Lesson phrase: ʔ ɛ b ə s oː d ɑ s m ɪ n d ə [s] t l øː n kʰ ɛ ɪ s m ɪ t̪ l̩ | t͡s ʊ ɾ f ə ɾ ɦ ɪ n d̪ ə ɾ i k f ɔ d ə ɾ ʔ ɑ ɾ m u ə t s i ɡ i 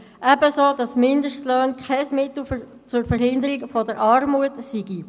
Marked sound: incorrect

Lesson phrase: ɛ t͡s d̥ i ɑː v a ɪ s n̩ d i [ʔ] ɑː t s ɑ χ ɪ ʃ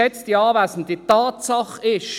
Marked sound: incorrect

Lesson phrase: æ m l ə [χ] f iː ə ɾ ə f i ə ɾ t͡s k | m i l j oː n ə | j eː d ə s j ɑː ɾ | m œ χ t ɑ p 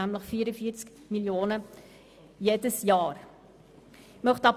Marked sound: correct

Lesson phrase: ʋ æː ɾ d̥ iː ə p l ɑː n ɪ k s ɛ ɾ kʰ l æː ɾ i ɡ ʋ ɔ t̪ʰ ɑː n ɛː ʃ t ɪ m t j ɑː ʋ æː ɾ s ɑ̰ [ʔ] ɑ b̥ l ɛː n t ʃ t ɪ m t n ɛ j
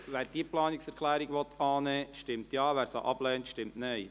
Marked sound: correct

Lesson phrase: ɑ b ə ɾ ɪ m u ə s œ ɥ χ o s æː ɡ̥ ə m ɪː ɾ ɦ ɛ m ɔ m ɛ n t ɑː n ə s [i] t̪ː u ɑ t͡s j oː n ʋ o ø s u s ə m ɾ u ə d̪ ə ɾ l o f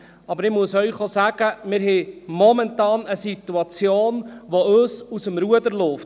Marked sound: correct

